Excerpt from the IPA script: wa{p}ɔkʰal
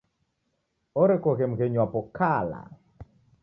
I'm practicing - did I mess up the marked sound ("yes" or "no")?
no